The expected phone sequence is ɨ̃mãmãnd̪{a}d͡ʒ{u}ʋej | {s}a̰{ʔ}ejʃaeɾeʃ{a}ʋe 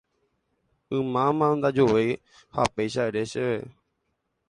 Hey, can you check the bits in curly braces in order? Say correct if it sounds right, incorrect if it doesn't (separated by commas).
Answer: correct, incorrect, incorrect, incorrect, incorrect